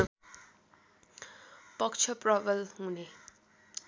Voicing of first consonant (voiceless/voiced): voiceless